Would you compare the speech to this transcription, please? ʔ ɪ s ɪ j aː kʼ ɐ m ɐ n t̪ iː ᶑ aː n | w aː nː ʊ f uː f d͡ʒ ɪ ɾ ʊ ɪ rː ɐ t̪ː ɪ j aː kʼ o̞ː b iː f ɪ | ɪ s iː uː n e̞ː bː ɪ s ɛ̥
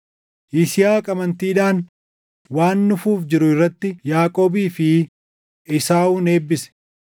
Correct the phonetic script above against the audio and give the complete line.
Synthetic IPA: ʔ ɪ s ɪ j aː kʼ ɐ m ɐ n t̪ iː ᶑ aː n | w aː nː ʊ f uː f d͡ʒ ɪ ɾ ʊ ɪ rː ɐ t̪ː ɪ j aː kʼ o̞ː b iː f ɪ | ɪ s aː uː n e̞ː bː ɪ s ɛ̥